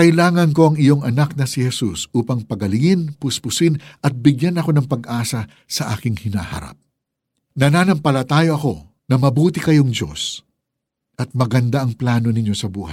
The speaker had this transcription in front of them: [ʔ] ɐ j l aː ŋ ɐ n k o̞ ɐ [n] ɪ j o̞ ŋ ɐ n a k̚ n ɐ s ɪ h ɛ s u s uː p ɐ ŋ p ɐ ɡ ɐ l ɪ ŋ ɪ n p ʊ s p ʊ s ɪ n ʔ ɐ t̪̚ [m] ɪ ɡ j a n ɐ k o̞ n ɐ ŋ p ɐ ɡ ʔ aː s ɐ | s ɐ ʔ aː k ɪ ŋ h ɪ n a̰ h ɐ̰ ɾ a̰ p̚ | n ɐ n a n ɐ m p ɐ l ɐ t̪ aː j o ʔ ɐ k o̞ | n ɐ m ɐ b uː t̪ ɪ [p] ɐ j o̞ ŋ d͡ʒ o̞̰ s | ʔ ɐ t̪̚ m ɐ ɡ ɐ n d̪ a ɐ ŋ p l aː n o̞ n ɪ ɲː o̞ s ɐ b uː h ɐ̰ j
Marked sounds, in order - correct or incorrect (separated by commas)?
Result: incorrect, incorrect, incorrect, incorrect